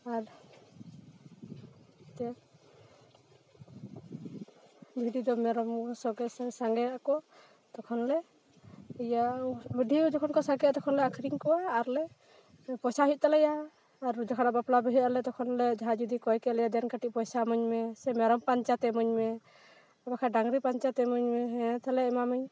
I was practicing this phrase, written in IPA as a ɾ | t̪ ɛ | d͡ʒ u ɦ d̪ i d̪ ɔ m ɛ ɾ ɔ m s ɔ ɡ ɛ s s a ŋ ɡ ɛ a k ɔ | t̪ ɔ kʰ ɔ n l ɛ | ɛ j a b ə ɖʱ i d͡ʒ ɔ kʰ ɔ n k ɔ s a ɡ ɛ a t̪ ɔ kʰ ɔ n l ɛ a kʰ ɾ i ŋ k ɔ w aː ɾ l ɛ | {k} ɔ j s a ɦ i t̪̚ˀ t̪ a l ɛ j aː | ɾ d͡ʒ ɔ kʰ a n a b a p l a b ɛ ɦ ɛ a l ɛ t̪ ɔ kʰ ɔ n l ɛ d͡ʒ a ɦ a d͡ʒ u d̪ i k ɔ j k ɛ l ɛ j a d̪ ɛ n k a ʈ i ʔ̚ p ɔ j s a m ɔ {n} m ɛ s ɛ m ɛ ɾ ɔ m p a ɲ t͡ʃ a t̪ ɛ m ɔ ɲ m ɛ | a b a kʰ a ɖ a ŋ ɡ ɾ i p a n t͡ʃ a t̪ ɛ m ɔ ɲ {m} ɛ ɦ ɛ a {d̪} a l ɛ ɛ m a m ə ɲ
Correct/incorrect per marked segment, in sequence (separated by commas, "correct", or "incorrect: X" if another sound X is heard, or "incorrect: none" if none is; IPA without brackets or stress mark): incorrect: p, incorrect: ɲ, correct, incorrect: t̪